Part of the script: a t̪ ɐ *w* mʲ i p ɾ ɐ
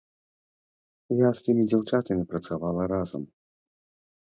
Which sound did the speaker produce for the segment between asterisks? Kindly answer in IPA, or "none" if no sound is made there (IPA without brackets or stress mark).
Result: none